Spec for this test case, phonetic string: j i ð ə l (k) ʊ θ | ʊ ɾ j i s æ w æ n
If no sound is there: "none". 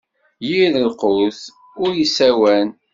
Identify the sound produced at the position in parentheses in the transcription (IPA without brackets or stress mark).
q